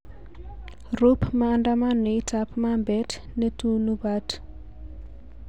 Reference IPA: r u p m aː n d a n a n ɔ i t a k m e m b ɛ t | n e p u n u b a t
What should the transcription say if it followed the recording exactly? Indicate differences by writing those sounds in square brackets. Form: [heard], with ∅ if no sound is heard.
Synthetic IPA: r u p m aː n d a [m] a n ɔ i t a [p] m [a] m b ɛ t | n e [t] u n u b a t